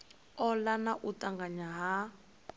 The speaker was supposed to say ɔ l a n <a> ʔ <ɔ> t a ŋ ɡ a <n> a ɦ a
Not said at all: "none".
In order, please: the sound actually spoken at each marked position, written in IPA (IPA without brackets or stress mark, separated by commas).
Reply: a, u, ɲ